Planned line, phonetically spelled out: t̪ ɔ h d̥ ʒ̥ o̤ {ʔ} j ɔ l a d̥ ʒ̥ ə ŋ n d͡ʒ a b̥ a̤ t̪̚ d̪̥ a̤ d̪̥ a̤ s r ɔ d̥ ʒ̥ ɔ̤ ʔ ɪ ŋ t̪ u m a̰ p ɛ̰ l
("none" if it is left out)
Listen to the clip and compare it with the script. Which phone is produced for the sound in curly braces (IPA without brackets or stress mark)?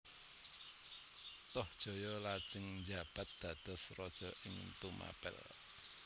none